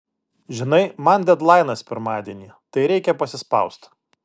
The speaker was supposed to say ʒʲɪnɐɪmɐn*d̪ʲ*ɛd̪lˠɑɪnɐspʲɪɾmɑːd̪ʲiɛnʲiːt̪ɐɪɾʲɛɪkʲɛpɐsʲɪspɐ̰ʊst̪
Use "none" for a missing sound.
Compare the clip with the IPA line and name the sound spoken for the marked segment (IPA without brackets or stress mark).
d̪ʲ